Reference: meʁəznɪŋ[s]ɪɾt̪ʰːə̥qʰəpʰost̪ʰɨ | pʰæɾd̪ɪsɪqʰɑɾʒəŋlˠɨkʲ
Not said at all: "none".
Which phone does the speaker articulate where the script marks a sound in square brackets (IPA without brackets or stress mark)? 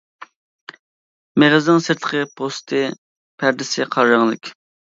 s